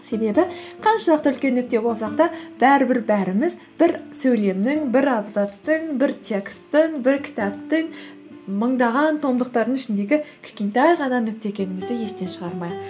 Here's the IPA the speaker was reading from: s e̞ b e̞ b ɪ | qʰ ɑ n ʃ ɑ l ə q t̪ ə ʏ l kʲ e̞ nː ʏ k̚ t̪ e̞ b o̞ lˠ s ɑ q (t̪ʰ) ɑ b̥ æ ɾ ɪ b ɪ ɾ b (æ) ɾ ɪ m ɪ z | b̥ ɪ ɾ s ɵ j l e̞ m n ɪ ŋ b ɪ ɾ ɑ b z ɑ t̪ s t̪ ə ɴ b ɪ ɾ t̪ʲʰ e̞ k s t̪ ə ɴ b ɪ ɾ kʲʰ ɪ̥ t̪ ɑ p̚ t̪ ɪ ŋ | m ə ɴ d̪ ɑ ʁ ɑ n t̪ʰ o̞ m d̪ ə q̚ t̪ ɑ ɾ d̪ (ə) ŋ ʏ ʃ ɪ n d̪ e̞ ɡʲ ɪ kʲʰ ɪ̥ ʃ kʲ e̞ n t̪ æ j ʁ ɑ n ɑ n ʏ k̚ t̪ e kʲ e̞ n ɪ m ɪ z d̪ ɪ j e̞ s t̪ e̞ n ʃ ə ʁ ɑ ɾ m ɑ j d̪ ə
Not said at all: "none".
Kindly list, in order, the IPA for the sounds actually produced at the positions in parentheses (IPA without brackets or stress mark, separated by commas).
t̪, æ, ə